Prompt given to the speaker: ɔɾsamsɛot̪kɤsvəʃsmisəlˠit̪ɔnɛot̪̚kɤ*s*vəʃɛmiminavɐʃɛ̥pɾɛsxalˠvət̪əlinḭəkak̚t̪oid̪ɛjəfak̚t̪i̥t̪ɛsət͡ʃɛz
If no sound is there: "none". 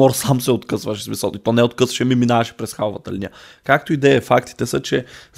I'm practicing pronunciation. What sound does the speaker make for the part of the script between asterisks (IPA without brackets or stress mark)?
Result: s